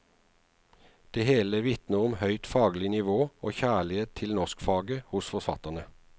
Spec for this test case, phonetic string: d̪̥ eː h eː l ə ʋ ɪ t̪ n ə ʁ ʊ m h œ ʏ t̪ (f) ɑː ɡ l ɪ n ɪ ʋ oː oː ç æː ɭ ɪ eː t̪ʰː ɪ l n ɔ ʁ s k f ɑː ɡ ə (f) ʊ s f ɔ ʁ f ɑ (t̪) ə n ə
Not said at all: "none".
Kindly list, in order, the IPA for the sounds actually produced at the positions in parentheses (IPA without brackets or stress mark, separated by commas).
f, h, t̪